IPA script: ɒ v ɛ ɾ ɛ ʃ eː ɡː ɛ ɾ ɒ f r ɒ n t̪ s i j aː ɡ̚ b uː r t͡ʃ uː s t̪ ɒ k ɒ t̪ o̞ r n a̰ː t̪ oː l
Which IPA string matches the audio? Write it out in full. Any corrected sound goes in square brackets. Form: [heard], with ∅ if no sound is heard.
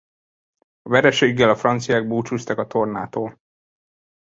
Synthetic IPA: ɒ v ɛ ɾ ɛ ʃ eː ɡː ɛ [l] ɒ f r ɒ n t̪ s i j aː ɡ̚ b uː [∅] t͡ʃ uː s t̪ ɒ k ɒ t̪ o̞ r n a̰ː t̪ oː l